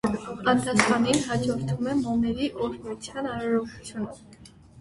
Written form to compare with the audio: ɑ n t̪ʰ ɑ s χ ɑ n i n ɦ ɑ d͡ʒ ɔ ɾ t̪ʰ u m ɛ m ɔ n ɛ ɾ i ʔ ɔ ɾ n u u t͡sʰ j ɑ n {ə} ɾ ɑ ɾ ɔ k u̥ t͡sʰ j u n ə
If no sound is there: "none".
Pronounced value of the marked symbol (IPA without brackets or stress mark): ɑ